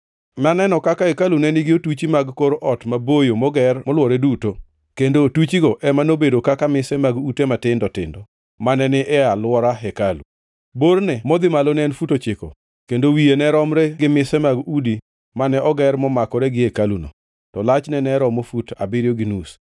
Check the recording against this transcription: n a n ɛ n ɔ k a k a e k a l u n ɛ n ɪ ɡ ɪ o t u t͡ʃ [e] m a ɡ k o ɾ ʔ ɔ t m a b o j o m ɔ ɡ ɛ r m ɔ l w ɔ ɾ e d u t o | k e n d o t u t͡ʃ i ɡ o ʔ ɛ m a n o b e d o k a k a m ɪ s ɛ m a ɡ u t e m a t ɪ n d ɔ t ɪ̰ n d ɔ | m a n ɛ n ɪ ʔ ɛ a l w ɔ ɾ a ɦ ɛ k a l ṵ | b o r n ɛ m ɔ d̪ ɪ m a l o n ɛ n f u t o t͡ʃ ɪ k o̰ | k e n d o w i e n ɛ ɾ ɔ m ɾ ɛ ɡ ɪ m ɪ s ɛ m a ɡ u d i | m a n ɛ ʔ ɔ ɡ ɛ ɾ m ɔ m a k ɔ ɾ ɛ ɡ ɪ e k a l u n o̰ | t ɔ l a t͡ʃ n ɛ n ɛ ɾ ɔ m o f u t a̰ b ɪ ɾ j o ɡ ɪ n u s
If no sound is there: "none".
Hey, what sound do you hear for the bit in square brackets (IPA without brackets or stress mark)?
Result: i